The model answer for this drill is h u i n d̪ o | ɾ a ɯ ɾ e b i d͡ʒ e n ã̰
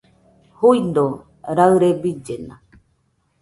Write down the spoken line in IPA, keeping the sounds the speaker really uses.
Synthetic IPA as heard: h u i n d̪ o | ɾ a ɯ ɾ e b i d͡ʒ e n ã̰